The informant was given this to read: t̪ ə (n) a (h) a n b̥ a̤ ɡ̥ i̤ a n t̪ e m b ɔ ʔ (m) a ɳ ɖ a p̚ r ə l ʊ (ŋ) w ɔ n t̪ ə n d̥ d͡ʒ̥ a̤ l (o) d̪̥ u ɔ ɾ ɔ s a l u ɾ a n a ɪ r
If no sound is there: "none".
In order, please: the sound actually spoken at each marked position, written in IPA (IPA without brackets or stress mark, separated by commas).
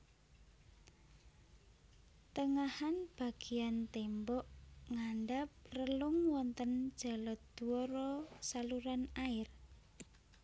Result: ŋ, h, ŋ, ŋ, ɔ